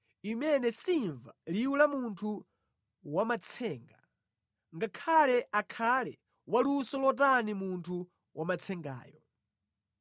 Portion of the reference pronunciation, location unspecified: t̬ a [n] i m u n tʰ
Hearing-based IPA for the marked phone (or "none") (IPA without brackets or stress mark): n